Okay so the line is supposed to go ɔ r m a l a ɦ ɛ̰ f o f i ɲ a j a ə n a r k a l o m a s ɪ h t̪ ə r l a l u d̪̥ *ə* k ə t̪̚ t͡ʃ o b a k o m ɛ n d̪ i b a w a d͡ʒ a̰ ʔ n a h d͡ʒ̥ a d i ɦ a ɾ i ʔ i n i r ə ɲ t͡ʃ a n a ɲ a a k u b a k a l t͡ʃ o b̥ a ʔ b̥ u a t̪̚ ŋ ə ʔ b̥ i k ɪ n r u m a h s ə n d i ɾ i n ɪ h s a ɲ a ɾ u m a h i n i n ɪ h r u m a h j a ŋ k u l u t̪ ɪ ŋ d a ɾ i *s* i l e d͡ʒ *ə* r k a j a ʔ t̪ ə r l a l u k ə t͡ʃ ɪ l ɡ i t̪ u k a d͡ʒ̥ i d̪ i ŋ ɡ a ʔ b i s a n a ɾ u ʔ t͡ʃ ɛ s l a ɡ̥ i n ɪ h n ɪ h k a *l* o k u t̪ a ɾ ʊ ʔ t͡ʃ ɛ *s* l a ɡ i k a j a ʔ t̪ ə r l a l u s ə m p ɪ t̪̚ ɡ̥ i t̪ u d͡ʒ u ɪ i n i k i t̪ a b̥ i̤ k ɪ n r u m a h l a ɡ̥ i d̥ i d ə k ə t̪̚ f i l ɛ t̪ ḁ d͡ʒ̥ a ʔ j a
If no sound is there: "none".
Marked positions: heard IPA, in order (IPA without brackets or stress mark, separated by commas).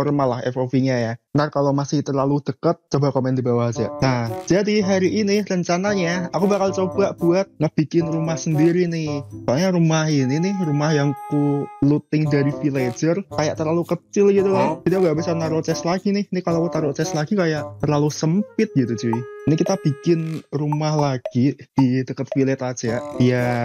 ə, f, ə, l, s